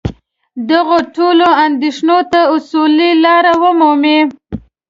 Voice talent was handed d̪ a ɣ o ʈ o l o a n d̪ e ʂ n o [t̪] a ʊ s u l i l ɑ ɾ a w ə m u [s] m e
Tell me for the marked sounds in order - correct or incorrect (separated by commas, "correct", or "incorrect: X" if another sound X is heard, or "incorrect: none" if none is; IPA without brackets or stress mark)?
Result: correct, incorrect: none